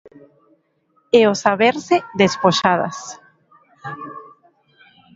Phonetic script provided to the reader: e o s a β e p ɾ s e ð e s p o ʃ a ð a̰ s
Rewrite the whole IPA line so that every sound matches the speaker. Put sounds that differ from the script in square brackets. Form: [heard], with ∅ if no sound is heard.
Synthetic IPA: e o s a β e [∅] ɾ s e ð e s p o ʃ a ð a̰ s

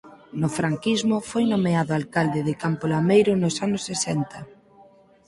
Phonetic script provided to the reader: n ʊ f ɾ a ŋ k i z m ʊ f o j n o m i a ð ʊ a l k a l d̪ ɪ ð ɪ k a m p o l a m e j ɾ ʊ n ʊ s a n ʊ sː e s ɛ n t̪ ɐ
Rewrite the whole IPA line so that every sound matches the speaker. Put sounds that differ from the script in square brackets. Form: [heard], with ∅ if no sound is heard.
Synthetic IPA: n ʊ f ɾ a ŋ k i z m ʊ f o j n o m [e] a ð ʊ a l k a l d̪ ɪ ð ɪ k a m p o l a m e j ɾ ʊ n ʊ s a n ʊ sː e s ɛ n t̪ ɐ

